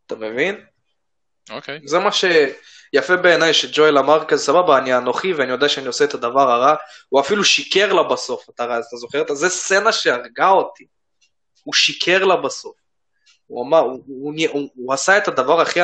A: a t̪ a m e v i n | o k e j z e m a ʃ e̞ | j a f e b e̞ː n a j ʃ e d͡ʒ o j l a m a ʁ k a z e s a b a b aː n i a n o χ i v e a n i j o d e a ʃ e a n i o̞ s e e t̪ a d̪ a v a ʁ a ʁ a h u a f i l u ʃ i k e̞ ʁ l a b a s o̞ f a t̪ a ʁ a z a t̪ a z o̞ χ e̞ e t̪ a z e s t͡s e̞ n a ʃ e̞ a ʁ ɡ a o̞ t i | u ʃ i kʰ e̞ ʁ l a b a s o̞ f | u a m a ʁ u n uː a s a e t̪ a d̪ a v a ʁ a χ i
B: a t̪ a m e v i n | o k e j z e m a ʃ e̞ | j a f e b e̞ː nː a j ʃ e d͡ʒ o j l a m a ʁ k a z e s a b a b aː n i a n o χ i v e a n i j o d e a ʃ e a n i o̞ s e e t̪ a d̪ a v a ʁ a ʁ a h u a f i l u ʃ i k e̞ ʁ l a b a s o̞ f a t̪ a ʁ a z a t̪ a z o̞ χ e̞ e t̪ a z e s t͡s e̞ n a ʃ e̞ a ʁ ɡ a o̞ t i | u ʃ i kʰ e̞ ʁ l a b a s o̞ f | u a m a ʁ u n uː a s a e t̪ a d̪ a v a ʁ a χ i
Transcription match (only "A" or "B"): A